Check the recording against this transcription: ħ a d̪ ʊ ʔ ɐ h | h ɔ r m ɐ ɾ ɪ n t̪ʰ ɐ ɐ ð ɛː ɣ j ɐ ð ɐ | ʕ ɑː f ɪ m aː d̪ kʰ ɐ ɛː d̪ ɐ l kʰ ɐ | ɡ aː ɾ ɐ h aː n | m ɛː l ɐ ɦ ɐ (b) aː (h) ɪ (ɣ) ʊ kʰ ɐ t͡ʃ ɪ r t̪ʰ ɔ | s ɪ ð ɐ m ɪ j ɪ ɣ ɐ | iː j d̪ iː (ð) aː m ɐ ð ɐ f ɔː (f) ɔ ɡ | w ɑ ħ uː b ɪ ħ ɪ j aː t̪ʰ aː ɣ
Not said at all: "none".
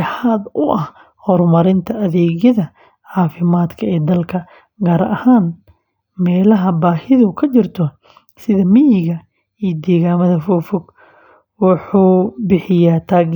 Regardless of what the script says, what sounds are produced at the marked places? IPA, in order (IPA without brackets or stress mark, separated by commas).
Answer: b, h, ð, ɣ, f